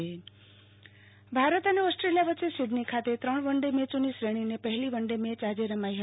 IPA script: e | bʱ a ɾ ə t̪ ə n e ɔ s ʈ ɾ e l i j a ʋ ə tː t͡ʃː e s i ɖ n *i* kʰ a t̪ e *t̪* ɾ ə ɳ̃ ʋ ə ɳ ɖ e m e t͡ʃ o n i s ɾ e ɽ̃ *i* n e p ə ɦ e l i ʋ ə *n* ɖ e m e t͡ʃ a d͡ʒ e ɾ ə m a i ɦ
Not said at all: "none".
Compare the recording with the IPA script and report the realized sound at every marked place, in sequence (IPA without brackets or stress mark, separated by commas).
i, t̪, i, ɳ